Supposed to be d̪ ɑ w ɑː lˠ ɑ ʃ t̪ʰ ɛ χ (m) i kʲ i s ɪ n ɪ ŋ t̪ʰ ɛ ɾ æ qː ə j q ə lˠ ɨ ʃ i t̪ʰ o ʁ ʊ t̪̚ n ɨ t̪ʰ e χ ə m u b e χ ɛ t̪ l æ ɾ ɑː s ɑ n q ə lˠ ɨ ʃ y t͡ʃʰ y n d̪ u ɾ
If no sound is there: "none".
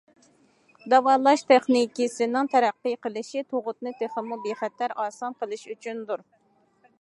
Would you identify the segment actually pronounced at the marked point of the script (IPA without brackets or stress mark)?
n